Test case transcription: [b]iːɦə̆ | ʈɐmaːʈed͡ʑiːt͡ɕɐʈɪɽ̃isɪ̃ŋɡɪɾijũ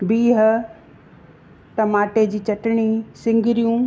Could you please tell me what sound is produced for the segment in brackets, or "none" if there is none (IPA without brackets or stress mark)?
b